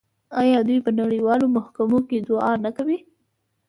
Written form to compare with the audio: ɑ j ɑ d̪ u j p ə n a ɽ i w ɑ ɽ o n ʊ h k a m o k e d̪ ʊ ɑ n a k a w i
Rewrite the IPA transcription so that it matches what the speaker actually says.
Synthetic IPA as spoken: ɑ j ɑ d̪ u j p ə n a ɽ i w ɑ l o m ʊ h k a m o k e d̪ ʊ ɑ n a k a w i